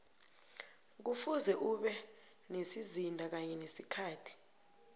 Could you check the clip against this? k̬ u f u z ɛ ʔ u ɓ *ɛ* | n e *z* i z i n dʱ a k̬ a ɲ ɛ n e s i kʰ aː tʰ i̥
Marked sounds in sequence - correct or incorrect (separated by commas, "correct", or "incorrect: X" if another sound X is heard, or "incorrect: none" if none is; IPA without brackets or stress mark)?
correct, incorrect: s